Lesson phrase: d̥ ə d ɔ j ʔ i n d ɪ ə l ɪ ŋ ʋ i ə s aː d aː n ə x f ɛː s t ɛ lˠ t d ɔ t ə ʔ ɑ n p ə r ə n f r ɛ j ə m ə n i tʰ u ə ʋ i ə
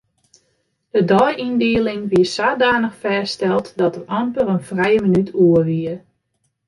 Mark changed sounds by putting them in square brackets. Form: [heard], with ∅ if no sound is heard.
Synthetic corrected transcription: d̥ ə d ɔ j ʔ i n d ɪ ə l ɪ ŋ ʋ i ə s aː d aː n ə x f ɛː s t ɛ lˠ t d ɔ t ə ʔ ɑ [m] p ə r ə n f r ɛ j ə m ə n [y] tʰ u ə ʋ i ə